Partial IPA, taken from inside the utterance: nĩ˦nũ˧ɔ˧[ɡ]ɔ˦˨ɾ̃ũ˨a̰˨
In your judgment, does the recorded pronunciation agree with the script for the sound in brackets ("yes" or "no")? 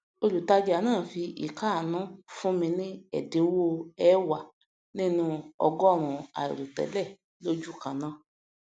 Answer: yes